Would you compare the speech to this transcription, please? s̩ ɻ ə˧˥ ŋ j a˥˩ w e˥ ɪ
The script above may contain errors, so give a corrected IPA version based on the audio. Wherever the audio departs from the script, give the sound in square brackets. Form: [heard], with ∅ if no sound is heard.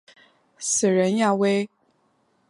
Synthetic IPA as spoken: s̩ ɻ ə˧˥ [n] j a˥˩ w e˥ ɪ